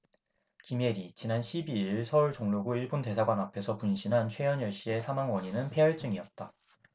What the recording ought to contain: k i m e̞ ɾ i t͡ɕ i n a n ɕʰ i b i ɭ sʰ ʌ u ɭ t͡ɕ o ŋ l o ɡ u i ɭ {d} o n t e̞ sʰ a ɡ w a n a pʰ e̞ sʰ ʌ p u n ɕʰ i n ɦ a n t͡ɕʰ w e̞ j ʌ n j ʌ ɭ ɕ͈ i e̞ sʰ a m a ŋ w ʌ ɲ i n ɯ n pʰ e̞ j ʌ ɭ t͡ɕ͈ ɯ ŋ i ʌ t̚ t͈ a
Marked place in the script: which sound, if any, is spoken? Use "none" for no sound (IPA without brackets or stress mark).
b